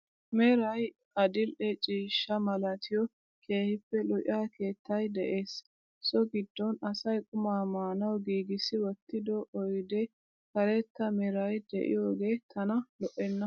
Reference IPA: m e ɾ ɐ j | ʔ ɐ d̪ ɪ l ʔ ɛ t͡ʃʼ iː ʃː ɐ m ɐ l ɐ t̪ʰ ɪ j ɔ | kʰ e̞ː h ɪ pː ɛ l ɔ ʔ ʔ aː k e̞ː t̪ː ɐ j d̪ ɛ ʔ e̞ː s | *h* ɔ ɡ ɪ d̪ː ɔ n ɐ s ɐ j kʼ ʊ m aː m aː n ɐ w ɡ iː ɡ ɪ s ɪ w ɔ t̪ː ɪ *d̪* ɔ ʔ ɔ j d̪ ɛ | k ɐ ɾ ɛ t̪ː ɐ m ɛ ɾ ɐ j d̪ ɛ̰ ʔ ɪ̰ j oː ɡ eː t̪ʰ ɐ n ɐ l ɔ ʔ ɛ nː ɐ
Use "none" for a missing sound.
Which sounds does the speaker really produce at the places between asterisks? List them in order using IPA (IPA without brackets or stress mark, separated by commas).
s, d̪